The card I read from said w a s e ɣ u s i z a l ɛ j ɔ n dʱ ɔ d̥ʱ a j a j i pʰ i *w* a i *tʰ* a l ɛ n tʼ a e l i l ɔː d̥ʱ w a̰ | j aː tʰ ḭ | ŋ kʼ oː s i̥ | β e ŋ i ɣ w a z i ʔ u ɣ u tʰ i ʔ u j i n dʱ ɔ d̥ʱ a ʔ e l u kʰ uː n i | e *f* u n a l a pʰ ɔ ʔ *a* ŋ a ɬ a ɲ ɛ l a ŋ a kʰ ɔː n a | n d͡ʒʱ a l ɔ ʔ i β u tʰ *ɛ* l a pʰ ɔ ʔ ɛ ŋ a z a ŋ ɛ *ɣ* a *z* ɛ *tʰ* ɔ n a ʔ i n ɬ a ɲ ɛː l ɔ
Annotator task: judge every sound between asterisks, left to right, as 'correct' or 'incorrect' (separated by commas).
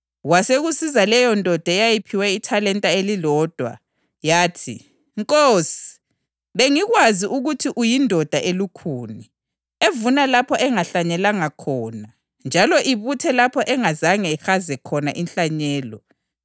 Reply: correct, correct, incorrect, incorrect, correct, incorrect, correct, incorrect